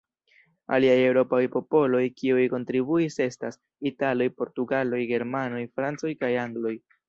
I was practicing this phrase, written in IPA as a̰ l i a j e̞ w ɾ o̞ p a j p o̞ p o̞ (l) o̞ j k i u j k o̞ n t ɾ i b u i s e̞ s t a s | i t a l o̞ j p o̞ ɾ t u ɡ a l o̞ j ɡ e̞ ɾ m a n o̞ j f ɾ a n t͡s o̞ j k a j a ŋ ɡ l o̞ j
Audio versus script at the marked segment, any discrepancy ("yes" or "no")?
no